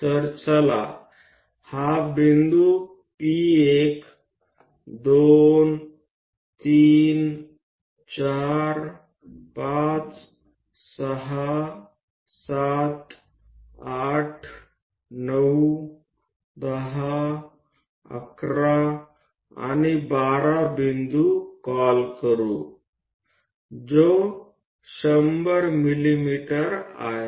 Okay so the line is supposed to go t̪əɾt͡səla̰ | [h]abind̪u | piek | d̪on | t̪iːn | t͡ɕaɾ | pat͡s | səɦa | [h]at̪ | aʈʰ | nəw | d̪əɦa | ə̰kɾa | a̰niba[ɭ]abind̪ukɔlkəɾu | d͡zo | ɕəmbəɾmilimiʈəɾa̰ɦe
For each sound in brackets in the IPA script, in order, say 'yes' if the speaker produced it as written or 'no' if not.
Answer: yes, no, no

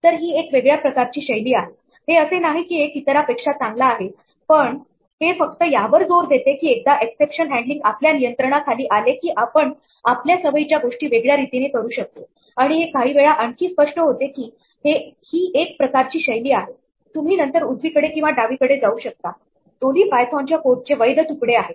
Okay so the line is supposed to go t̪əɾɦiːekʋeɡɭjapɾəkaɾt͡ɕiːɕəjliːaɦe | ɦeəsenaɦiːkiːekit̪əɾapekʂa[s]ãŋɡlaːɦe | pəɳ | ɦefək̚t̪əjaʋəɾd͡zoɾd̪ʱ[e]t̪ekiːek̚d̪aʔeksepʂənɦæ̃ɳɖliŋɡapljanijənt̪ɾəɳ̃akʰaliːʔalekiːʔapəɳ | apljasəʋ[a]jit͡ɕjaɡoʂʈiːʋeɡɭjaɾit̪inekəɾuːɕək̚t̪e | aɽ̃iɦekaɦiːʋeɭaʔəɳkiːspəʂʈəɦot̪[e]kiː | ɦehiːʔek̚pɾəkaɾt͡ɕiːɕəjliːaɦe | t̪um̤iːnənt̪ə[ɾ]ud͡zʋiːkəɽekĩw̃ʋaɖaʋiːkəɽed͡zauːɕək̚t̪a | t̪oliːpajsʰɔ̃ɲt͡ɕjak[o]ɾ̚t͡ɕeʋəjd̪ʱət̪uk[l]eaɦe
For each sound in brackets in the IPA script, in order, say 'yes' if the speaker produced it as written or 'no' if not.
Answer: no, yes, no, yes, yes, yes, no

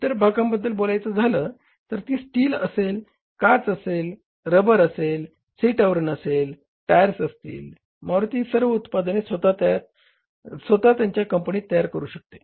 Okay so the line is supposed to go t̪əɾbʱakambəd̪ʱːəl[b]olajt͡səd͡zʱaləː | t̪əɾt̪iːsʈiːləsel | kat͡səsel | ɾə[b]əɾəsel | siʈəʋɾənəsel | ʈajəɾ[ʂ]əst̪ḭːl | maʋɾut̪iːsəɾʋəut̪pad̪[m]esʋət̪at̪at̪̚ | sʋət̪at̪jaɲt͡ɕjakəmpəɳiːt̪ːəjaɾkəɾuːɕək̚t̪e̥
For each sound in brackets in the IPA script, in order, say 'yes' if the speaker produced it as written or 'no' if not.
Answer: yes, yes, no, no

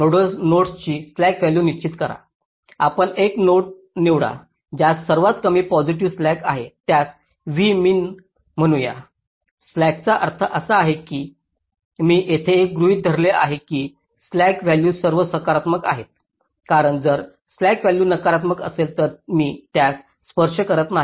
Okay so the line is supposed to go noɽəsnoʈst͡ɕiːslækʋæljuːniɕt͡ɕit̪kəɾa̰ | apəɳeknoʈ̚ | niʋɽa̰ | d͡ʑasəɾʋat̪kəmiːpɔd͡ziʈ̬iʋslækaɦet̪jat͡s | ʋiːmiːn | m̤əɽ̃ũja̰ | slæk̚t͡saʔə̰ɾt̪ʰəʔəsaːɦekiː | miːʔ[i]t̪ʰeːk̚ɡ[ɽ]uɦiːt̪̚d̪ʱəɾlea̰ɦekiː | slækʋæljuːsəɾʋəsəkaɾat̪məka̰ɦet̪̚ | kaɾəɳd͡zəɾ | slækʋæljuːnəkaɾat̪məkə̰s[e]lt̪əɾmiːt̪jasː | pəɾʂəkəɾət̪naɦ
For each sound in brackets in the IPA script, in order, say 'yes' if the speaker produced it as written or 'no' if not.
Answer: no, no, yes

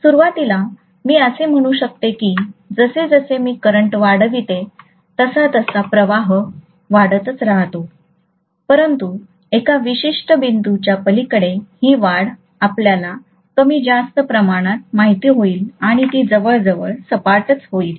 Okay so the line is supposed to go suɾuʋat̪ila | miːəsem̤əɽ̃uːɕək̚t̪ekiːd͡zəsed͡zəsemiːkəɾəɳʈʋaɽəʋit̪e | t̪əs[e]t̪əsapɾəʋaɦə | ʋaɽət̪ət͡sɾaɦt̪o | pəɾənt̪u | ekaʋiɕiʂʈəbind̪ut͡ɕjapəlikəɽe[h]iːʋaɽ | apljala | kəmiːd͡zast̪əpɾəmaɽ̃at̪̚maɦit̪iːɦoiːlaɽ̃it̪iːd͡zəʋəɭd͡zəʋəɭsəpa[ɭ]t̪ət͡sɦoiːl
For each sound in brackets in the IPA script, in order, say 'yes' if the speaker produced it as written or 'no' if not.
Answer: no, yes, no

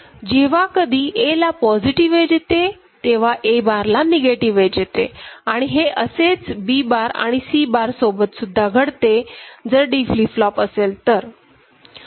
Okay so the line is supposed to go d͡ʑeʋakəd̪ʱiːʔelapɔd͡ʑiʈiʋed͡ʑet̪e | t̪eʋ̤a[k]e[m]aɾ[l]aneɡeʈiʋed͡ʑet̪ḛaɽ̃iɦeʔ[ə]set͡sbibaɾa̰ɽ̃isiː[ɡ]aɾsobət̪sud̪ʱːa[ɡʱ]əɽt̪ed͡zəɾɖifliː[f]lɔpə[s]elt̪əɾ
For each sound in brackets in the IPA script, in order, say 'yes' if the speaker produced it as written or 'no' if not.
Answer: no, no, yes, yes, no, yes, yes, yes

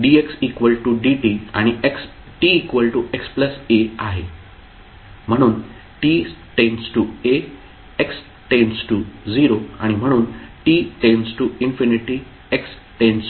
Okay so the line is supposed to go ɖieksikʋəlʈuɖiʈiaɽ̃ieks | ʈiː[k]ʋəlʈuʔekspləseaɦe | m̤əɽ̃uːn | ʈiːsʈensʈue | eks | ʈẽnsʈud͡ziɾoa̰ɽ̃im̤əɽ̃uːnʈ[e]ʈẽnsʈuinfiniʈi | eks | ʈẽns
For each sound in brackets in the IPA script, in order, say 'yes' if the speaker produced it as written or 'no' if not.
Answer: yes, no

